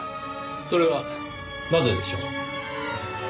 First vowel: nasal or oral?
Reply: oral